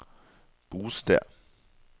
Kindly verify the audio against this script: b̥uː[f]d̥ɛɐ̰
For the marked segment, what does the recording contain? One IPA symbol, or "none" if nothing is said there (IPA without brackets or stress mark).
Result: s